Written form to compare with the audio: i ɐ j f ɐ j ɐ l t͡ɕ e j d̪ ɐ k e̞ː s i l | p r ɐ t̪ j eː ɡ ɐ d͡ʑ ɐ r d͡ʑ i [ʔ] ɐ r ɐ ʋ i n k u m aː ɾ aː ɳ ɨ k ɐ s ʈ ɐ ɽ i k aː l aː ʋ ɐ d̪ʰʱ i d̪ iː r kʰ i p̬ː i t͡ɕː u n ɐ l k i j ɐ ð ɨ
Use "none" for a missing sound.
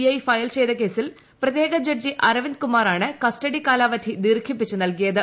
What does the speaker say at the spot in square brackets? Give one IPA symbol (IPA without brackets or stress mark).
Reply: ʔ